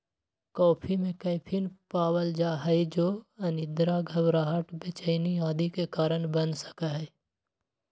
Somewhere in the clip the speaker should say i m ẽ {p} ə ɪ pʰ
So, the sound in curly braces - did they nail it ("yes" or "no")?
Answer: no